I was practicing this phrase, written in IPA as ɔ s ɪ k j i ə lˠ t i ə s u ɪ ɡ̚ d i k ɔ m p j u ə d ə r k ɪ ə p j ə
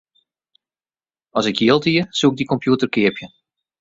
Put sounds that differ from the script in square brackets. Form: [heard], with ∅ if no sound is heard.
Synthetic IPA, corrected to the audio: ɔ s ɪ k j i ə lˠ t i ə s u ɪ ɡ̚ d i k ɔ m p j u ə [t] ə r k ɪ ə p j ə